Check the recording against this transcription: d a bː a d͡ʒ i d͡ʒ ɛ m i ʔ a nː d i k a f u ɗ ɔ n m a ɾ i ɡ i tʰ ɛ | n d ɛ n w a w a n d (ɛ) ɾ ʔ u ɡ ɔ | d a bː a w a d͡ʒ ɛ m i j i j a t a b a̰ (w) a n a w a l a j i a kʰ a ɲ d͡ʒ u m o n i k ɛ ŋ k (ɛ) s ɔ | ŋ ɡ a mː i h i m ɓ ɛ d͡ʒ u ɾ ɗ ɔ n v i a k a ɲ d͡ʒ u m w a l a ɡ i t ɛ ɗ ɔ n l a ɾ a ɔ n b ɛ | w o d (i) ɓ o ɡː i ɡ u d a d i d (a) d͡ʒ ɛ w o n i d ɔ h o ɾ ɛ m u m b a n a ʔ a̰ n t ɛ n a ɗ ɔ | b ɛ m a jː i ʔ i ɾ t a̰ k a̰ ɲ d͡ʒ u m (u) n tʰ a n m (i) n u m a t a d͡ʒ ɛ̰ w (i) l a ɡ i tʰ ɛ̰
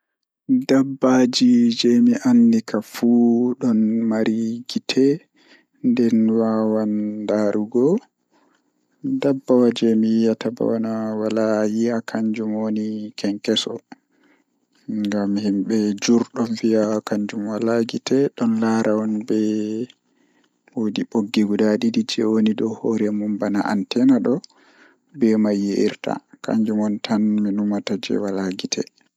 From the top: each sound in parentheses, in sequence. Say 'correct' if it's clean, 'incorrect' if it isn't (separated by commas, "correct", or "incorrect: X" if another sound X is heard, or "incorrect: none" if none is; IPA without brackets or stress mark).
incorrect: a, correct, correct, correct, incorrect: i, incorrect: ɔ, correct, incorrect: a